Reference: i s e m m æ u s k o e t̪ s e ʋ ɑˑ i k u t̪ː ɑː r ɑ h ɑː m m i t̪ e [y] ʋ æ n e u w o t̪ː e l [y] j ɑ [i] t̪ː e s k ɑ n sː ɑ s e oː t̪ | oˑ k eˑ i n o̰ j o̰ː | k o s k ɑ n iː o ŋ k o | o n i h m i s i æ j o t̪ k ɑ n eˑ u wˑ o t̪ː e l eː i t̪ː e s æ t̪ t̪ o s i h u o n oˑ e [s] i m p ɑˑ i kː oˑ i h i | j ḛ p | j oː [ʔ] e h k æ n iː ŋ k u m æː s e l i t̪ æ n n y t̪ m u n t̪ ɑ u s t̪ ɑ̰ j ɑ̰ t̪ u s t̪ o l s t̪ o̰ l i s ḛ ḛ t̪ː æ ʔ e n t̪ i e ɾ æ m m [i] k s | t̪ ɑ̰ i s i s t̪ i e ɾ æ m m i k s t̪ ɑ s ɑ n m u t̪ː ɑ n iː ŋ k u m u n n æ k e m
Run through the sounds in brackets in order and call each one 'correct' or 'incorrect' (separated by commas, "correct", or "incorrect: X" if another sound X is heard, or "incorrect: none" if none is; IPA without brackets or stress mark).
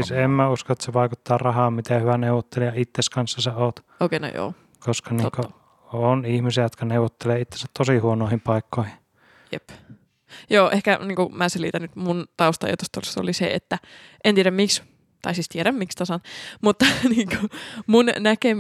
correct, incorrect: i, correct, incorrect: h, correct, correct